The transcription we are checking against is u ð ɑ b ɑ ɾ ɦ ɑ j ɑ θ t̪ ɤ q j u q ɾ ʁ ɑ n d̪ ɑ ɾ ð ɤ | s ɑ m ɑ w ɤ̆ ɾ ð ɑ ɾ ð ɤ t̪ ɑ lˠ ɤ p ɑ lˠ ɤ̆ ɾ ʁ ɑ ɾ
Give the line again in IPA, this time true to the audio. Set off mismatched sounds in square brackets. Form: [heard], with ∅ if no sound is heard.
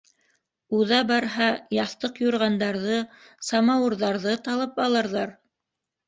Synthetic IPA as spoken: u ð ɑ b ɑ ɾ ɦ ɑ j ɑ θ t̪ ɤ q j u [∅] ɾ ʁ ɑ n d̪ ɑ ɾ ð ɤ | s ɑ m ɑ w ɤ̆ ɾ ð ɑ ɾ ð ɤ t̪ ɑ lˠ ɤ p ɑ lˠ ɤ̆ ɾ [ð] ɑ ɾ